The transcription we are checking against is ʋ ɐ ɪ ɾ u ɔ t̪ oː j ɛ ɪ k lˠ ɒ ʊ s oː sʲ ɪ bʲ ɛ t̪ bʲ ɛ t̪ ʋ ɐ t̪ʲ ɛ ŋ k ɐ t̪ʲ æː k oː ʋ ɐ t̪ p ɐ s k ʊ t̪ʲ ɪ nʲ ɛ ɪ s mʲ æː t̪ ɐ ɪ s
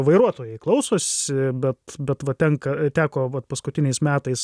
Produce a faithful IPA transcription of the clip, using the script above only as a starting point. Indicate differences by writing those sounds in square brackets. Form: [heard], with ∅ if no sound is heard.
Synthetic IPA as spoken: ʋ ɐ ɪ ɾ u ɔ t̪ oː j ɛ ɪ k lˠ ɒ ʊ s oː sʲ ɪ bʲ ɛ t̪ bʲ ɛ t̪ ʋ ɐ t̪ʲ ɛ ŋ k ɐ t̪ʲ æː k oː ʋ ɐ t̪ p ɐ s k ʊ t̪ʲ ɪ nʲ ɛ ɪ s mʲ æː t̪ ɐ ɪ s